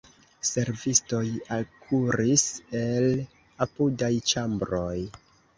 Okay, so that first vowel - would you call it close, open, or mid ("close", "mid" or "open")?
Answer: mid